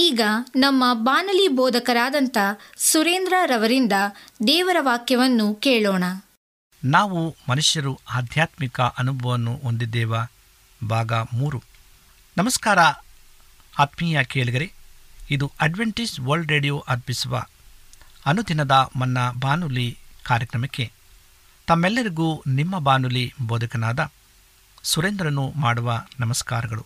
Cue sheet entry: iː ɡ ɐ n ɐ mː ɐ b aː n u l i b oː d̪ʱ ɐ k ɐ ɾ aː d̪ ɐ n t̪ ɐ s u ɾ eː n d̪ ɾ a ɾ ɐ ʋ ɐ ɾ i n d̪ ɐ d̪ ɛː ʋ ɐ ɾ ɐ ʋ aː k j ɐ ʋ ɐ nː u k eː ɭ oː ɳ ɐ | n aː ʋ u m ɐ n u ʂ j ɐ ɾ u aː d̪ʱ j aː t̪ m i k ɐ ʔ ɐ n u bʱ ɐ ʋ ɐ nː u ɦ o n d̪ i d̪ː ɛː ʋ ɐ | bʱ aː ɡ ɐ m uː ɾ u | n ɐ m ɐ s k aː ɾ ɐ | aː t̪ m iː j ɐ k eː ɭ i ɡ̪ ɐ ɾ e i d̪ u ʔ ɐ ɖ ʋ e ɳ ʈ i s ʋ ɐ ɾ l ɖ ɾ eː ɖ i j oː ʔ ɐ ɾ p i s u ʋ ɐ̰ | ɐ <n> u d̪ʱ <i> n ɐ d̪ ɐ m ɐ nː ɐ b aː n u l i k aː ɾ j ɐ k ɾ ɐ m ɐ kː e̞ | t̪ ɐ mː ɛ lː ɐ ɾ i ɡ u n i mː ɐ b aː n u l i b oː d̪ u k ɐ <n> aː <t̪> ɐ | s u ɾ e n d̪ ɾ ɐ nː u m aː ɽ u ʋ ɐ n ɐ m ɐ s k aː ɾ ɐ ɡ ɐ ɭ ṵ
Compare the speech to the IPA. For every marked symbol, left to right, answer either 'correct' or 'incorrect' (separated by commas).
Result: correct, correct, correct, incorrect